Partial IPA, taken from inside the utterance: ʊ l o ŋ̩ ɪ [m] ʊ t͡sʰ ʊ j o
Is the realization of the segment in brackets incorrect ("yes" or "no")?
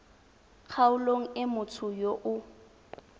no